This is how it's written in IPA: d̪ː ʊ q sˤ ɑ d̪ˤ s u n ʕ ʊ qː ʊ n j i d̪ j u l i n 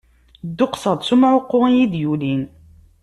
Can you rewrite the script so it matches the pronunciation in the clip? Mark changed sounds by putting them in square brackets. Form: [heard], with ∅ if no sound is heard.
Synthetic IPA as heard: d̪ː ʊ q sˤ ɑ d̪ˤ s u [m] ʕ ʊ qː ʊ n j i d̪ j u l i n